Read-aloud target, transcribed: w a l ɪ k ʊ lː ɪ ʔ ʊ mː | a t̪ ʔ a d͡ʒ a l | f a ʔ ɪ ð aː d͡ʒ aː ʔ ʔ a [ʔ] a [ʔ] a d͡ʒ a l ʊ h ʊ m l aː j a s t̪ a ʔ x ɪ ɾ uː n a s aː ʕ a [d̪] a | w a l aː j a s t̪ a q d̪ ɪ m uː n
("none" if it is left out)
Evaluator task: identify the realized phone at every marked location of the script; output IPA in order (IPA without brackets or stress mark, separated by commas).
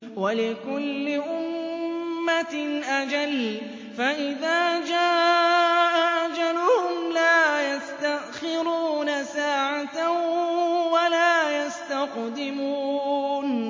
ʔ, ʔ, t̪